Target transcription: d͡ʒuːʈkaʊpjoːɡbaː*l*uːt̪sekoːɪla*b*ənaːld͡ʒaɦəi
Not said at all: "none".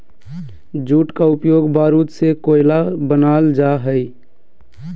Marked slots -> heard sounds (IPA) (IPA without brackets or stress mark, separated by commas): ɾ, b